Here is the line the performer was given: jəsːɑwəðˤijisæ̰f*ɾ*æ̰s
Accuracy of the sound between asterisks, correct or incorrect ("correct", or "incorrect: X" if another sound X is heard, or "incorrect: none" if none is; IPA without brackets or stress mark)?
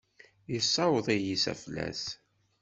incorrect: l